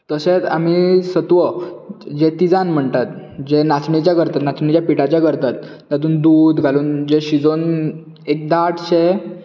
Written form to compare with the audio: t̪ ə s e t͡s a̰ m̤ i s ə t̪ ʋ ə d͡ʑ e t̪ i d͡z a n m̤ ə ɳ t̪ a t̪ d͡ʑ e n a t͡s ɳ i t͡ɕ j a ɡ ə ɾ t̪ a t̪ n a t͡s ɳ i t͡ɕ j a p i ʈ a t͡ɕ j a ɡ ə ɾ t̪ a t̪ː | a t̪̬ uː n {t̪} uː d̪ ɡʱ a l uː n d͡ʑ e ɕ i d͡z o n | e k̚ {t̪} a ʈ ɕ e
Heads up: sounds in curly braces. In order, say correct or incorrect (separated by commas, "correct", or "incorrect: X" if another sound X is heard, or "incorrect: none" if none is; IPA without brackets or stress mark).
incorrect: d̪, incorrect: d̪